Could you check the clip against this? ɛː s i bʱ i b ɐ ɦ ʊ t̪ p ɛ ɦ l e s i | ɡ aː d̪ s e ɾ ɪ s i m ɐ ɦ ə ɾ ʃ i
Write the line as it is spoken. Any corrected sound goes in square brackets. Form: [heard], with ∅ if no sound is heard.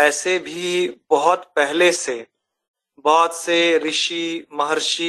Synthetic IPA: ɛː s [e] bʱ i b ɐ ɦ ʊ t̪ p ɛ ɦ l e s [e] | [b] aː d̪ s e ɾ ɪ [ʃ] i m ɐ ɦ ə ɾ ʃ i